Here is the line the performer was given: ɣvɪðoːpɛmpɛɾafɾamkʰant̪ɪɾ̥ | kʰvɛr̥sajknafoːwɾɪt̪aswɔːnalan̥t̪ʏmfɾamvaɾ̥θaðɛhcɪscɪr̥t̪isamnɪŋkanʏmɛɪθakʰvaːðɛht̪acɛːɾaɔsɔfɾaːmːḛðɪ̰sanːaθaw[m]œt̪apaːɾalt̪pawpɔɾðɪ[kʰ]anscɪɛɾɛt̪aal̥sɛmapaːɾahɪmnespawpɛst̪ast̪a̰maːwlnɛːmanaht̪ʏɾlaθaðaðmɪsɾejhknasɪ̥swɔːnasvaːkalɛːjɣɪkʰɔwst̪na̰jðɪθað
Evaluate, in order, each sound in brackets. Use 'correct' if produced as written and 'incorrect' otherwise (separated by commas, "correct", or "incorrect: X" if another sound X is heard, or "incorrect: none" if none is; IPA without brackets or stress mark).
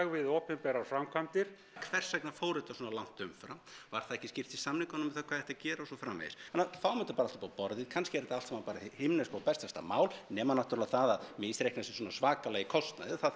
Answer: correct, correct